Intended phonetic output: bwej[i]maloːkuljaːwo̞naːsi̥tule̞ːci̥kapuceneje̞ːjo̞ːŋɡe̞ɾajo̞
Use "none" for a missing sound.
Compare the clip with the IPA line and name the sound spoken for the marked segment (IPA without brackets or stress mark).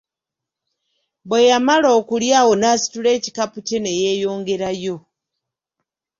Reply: a